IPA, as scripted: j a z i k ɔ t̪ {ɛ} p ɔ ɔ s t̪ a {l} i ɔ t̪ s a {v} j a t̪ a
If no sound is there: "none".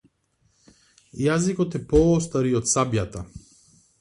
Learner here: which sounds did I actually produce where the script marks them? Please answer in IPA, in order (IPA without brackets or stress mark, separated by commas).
ɛ, ɾ, b